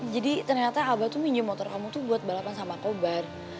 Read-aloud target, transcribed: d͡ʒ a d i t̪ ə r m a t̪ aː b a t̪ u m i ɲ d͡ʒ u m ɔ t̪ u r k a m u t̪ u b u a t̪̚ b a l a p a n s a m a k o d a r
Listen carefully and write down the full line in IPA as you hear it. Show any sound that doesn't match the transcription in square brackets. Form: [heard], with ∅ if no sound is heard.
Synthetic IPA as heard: d͡ʒ a d i t̪ ə r [ɲ] a t̪ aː b a t̪ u m i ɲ d͡ʒ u m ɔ t̪ [ɔ] r k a m u t̪ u b u a t̪̚ b a l a p a n s a m a k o [b] a r